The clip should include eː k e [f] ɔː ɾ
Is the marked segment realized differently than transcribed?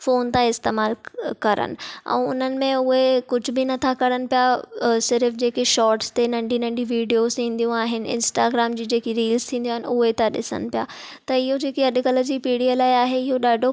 yes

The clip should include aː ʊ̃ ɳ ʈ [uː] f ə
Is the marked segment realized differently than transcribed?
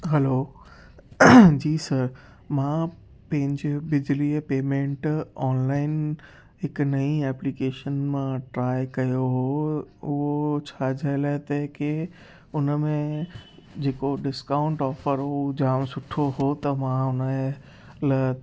yes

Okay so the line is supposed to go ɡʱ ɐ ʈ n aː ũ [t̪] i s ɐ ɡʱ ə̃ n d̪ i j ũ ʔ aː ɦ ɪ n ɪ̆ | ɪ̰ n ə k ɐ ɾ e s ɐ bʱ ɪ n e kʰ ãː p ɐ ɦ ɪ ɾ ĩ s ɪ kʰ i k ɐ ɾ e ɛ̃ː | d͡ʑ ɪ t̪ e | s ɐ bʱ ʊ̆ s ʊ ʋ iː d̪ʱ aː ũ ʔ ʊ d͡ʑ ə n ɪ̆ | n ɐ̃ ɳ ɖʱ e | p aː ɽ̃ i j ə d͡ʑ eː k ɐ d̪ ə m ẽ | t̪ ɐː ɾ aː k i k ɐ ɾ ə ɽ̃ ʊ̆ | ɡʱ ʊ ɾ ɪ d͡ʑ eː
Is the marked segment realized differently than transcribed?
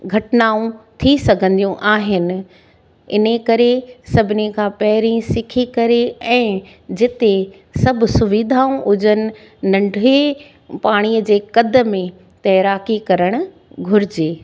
yes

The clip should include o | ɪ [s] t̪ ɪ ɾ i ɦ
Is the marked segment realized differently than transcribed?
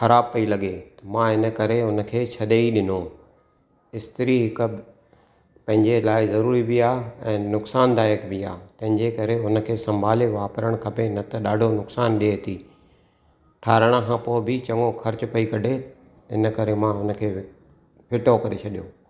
no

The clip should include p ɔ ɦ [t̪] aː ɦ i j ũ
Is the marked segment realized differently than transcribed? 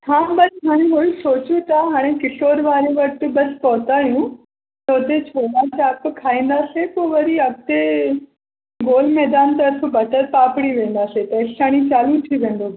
no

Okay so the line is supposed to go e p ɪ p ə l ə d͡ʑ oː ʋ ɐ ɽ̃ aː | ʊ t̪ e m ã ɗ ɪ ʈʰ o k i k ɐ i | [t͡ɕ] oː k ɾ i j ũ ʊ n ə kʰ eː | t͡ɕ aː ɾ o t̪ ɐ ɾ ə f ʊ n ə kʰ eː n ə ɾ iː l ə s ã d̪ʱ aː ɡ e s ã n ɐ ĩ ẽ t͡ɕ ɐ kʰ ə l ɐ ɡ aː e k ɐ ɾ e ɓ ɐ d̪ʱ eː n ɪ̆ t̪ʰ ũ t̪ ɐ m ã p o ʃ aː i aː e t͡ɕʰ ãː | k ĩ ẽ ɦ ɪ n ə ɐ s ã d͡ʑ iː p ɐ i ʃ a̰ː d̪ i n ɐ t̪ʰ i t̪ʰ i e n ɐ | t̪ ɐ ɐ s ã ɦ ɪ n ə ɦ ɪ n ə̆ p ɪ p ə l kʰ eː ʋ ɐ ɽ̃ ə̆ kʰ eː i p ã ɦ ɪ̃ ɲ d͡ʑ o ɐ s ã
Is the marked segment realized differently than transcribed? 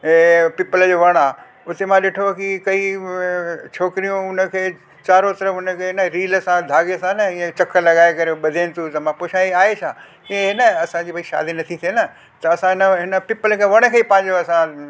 yes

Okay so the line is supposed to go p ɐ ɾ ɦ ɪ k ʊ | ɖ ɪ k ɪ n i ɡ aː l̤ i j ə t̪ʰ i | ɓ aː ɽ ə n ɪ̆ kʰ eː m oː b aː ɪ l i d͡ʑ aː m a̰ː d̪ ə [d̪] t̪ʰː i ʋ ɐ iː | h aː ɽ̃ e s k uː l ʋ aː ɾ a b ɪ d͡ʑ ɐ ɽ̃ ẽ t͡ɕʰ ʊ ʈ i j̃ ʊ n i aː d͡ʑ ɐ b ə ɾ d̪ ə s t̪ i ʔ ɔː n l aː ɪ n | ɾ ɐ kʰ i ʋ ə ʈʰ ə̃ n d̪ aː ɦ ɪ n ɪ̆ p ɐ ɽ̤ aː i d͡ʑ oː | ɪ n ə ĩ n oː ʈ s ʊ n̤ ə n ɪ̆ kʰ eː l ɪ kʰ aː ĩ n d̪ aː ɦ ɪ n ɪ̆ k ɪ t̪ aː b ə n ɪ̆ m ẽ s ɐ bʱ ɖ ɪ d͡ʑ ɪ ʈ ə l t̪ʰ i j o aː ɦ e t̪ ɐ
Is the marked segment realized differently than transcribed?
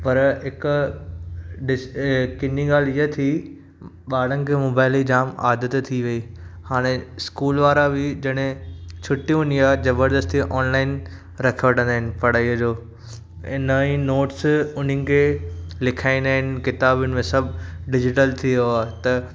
yes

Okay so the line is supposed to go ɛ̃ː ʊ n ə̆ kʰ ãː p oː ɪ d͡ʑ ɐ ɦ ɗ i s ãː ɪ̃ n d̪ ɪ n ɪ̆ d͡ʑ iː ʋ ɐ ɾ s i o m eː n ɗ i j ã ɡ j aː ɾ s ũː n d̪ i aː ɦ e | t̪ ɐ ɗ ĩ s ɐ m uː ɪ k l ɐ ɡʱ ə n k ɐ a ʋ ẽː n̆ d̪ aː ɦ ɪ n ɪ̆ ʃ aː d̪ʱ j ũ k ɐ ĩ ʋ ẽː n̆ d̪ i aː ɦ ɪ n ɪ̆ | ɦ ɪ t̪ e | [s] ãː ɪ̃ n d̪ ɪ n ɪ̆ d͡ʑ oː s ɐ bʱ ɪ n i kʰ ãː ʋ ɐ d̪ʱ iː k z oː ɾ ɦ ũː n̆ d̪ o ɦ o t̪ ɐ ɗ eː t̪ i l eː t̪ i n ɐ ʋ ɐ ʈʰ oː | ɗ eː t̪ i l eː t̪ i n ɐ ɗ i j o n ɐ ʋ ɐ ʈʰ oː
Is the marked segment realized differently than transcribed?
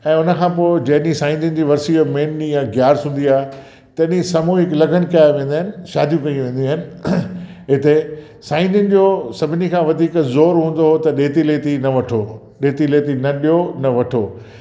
no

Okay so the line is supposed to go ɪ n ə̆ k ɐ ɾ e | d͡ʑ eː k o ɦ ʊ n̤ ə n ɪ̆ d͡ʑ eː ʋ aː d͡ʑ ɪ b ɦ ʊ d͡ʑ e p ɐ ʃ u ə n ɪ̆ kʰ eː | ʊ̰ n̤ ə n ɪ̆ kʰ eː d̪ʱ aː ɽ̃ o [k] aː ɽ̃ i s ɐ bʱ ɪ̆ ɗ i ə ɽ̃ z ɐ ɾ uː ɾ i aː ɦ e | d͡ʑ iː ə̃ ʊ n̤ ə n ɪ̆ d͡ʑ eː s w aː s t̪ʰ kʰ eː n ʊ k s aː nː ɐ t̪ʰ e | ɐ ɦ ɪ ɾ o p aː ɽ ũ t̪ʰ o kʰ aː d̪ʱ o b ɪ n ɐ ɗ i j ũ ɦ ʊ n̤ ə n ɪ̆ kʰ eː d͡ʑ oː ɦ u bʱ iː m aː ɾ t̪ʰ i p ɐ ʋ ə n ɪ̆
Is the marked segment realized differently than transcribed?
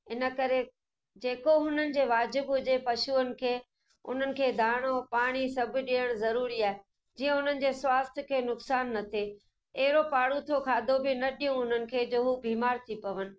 yes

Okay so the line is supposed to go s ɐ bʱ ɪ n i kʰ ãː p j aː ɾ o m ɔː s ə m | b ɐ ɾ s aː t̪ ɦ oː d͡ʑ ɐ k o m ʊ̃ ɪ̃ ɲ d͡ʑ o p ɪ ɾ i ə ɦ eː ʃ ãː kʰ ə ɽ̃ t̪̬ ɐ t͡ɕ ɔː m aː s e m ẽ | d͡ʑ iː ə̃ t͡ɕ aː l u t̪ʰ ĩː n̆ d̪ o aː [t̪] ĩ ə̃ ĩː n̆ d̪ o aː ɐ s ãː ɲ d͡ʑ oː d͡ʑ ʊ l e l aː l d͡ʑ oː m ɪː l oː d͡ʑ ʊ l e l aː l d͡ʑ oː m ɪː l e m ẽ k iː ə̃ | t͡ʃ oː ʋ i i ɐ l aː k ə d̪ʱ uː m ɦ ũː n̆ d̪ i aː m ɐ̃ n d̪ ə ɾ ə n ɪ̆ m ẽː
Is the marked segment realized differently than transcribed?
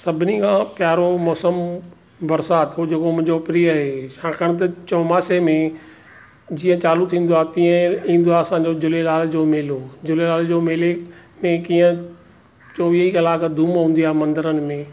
no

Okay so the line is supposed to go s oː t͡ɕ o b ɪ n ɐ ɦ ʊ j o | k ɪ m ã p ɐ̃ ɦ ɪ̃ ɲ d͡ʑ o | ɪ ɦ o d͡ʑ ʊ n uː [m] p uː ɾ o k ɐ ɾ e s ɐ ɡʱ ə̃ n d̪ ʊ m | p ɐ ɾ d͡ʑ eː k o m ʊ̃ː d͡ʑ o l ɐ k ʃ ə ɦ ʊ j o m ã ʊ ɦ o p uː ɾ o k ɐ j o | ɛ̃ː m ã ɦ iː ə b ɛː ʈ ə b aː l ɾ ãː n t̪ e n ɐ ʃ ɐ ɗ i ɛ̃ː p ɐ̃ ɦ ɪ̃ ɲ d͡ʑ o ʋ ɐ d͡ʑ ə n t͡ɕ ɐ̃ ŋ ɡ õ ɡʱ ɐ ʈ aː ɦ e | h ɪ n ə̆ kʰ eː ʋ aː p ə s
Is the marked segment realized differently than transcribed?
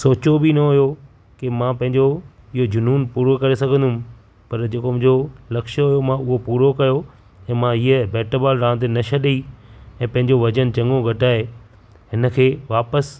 yes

